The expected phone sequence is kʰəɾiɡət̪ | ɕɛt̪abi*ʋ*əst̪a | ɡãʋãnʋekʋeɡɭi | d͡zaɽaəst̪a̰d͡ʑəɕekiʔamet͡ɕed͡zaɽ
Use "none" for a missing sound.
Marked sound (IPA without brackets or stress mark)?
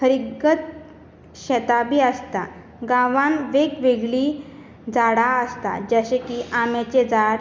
none